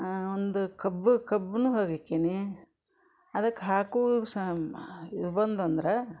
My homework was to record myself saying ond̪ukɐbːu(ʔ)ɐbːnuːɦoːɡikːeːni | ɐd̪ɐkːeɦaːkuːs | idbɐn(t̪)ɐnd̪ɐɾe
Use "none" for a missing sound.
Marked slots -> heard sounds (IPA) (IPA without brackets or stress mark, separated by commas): k, d̪